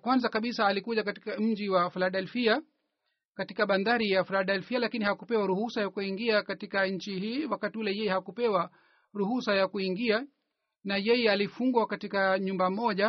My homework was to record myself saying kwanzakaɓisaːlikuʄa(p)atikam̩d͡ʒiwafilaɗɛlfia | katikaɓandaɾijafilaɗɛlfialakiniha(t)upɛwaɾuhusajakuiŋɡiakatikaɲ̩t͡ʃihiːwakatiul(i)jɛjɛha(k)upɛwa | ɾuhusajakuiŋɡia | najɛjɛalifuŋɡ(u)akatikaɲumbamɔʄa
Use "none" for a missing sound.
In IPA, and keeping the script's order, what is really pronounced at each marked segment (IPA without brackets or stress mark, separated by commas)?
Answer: k, k, ɛ, k, w